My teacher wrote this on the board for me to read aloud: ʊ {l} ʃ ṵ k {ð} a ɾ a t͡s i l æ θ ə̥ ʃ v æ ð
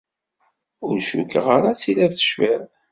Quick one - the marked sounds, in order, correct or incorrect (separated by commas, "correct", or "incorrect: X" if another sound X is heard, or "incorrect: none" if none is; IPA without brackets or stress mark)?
incorrect: ɾ, incorrect: ʁ